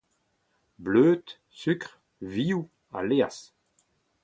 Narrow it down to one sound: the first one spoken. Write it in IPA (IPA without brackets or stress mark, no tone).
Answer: b